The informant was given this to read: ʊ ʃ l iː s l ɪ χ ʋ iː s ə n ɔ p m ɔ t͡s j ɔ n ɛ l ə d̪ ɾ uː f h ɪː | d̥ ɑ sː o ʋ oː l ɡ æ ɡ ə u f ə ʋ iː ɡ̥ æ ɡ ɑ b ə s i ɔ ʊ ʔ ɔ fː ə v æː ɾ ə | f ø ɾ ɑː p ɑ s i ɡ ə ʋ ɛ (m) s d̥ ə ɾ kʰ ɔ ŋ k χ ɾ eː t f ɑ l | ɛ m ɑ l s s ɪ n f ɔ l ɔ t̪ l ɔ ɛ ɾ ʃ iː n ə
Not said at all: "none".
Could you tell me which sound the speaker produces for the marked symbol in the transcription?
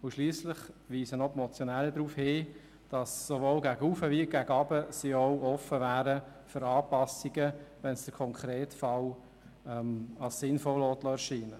n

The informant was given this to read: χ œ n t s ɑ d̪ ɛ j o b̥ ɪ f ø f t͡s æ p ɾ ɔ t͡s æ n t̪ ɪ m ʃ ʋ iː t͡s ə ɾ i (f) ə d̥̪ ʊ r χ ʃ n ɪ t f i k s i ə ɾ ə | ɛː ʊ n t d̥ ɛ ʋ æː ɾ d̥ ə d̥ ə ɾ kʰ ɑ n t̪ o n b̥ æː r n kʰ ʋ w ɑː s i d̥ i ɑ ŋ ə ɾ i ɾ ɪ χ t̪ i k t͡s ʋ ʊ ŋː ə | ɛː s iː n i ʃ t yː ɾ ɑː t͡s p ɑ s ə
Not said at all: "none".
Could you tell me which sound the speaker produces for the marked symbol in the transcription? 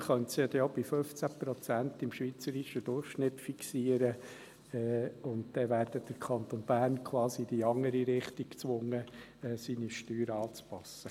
ʃ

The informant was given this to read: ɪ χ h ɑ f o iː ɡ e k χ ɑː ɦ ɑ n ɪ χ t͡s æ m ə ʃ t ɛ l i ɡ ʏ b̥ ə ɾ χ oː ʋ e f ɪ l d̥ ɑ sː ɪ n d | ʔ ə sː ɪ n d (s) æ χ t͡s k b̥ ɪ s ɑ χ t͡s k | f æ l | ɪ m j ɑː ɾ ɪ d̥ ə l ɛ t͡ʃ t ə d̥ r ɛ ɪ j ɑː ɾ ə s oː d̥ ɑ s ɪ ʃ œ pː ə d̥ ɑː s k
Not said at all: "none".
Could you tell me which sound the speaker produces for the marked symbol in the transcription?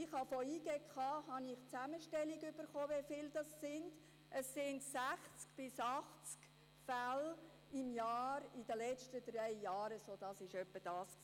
s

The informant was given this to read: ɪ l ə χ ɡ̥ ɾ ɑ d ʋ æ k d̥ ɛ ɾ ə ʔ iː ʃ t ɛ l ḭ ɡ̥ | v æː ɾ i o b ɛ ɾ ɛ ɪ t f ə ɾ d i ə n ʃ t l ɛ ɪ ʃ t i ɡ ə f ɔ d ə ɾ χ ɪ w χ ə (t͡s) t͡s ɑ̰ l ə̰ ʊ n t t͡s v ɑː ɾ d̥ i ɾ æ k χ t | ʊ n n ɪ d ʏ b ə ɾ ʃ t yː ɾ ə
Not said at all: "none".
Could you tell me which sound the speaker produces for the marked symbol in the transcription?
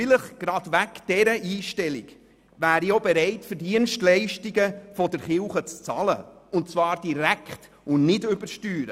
t͡s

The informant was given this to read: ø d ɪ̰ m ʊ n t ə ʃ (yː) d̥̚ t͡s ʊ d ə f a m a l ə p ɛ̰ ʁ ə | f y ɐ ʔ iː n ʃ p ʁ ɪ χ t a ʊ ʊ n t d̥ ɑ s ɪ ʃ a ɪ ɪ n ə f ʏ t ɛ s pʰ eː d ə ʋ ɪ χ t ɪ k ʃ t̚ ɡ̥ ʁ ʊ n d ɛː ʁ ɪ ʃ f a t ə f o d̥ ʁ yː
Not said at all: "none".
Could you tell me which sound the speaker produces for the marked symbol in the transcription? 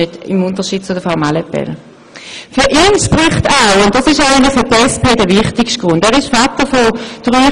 iː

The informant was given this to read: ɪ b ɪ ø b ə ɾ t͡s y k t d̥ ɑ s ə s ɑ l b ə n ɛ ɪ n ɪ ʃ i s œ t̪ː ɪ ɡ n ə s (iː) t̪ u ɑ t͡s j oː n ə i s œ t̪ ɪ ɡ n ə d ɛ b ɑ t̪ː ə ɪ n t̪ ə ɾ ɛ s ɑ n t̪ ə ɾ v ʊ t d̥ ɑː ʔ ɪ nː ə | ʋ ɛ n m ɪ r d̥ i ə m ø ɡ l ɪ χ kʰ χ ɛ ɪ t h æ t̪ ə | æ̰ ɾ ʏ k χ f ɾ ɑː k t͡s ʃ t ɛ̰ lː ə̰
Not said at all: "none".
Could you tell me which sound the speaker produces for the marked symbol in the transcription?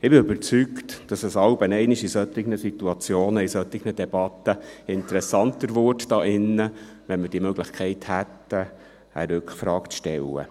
i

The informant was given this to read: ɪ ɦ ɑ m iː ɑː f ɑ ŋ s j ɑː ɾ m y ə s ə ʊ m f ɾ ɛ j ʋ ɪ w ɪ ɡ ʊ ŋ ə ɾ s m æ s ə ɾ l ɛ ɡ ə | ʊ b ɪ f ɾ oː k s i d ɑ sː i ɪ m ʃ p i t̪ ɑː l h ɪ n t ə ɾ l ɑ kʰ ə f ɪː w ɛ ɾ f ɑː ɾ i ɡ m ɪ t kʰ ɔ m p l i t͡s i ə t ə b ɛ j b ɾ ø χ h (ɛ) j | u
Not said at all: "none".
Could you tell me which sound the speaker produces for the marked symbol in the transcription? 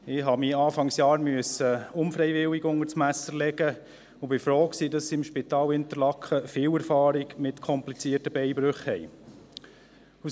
ɛ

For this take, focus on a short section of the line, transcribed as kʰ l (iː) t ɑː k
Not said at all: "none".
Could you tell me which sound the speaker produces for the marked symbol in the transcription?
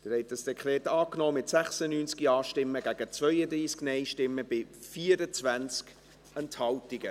ɛː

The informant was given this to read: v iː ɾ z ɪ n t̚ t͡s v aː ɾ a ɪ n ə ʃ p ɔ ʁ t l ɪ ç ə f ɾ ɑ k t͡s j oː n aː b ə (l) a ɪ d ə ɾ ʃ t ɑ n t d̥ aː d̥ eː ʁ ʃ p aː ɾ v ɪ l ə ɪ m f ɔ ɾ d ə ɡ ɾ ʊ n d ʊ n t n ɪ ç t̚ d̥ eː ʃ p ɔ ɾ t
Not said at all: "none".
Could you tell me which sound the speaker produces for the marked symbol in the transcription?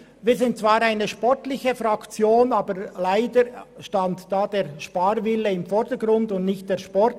l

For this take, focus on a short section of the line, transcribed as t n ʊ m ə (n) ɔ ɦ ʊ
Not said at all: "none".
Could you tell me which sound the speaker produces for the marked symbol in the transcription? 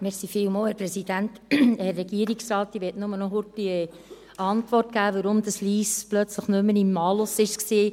n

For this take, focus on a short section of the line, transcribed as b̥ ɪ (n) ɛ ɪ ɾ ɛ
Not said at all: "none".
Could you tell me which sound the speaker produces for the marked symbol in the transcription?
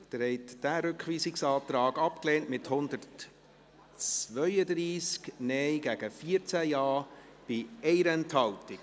none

